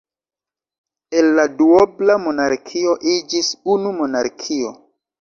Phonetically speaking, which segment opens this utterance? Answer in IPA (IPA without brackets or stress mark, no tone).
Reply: e